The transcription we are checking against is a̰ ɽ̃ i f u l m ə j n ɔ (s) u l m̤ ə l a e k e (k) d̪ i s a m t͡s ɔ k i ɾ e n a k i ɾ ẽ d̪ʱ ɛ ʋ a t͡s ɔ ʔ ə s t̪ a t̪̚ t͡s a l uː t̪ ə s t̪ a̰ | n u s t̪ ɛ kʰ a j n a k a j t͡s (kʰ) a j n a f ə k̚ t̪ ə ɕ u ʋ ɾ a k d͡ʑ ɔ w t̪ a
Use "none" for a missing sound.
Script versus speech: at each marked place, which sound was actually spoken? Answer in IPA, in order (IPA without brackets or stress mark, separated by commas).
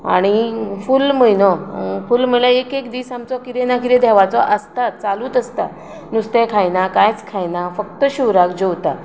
f, k, kʰ